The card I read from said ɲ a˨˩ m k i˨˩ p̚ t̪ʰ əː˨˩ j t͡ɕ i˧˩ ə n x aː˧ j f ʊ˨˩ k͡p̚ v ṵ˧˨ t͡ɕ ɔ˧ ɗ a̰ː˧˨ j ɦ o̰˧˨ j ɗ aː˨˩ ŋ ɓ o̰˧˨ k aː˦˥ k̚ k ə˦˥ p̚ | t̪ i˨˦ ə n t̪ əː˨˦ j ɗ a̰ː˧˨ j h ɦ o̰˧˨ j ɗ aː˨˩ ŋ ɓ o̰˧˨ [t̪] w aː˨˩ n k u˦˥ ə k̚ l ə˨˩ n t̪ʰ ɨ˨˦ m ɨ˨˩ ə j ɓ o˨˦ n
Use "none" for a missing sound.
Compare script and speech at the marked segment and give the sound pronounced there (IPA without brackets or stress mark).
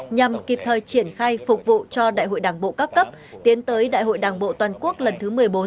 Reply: t̪